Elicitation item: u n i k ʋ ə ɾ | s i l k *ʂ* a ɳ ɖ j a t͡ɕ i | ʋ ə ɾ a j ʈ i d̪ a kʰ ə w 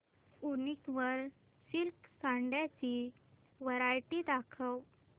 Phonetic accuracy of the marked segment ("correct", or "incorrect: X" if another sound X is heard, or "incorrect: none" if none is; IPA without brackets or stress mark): incorrect: s